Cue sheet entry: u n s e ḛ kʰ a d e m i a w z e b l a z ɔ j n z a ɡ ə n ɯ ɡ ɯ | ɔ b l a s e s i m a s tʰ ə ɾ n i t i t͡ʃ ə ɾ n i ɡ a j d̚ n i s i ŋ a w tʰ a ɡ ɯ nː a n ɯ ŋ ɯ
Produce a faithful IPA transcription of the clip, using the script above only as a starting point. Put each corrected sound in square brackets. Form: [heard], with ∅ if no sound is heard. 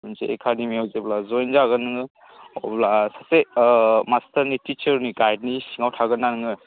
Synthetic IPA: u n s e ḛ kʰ a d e m i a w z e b l a z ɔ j n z a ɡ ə n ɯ [ŋ] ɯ | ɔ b l a s [a] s [e] m a s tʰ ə ɾ n i t i t͡ʃ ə ɾ n i ɡ a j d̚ n i s i ŋ a w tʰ a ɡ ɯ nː a n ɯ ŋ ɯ